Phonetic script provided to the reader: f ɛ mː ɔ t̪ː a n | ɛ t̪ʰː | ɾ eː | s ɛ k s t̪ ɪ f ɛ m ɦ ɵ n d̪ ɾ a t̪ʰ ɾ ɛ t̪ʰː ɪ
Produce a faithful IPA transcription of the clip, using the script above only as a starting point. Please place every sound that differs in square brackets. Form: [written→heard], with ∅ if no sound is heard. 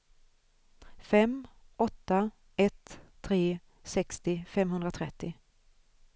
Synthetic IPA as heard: f ɛ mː ɔ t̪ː a [n→∅] | ɛ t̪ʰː | ɾ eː | s ɛ k s t̪ ɪ f ɛ m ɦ ɵ n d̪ ɾ a t̪ʰ ɾ ɛ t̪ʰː ɪ